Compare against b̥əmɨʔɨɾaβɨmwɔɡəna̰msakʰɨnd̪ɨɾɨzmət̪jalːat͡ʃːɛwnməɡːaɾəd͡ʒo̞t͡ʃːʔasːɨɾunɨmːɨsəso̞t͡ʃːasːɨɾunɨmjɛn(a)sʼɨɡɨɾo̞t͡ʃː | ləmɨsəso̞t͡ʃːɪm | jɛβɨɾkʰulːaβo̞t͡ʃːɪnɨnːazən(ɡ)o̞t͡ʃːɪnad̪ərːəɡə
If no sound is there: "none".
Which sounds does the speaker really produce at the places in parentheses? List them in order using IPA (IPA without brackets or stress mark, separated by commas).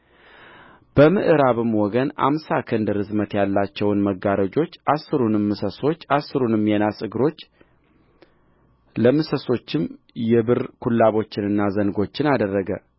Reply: a, ɡ